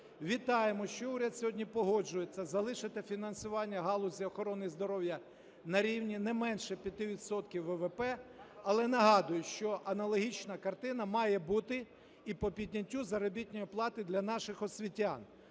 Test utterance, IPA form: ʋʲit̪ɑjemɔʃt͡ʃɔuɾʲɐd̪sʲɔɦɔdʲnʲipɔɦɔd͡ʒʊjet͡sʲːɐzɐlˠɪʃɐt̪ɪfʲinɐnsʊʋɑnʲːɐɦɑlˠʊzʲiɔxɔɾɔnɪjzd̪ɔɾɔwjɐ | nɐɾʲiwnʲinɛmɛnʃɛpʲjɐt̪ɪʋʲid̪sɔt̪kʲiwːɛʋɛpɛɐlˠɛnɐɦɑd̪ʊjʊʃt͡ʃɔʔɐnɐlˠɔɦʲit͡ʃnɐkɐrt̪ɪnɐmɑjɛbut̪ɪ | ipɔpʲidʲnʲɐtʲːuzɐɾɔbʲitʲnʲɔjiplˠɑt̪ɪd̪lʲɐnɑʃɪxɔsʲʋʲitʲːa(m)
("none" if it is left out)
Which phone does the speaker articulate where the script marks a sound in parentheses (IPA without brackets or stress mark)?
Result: n